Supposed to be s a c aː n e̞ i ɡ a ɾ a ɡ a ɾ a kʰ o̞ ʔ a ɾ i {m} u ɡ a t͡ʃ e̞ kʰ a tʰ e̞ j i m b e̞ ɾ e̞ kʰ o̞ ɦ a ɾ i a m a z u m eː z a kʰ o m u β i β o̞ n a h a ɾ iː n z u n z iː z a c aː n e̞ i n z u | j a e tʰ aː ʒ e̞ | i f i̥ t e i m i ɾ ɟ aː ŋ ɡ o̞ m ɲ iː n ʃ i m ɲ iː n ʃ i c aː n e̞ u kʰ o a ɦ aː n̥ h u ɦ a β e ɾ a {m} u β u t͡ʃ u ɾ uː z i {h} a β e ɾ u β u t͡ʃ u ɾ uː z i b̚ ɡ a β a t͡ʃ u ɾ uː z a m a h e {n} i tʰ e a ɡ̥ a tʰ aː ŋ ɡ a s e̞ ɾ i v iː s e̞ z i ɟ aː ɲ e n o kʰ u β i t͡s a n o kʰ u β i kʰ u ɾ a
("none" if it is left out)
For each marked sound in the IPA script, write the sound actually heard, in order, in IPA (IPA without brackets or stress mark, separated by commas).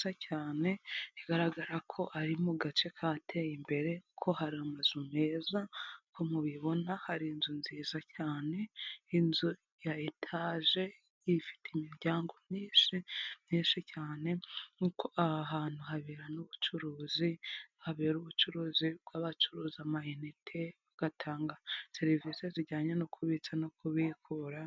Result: m, n, h, n